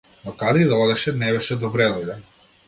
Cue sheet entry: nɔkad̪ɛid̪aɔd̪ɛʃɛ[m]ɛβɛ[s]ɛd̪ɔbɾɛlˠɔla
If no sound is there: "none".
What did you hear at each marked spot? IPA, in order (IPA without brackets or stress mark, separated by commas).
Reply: n, ʃ